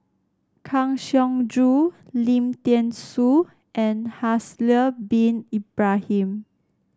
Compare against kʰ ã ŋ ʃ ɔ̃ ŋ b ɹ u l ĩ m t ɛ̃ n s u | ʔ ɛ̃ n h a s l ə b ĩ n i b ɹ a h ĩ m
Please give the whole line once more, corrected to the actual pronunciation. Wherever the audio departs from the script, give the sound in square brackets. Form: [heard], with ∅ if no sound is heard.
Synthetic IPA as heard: kʰ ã ŋ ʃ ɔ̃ ŋ [d] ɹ u l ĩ m t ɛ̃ n s u | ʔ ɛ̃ n h a s l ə b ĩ n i b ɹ a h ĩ m